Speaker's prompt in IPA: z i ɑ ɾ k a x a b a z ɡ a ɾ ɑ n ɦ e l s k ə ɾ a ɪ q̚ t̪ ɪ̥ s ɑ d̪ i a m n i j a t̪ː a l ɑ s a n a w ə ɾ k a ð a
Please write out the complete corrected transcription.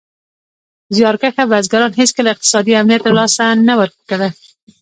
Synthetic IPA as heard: z j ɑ ɾ k a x a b a z ɡ a ɾ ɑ n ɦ e s k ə l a ɪ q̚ t̪ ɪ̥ s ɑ d̪ i a m n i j a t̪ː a l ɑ s a n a w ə ɾ k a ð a